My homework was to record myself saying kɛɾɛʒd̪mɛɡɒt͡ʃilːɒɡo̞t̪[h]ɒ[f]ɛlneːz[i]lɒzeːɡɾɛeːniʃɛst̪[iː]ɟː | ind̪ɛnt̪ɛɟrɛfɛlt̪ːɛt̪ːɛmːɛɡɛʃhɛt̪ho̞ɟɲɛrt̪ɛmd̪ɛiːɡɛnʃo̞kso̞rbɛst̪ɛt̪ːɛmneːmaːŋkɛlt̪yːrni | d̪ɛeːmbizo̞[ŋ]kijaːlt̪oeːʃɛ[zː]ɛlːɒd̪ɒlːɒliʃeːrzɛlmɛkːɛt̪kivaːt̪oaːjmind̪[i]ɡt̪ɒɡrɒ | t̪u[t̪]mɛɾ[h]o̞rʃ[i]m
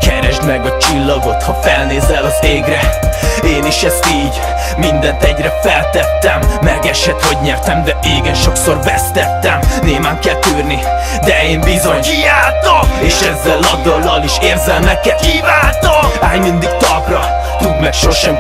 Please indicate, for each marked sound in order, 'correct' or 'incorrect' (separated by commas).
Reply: correct, correct, incorrect, correct, incorrect, correct, correct, incorrect, incorrect, incorrect